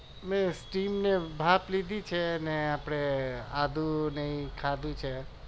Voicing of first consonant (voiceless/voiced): voiced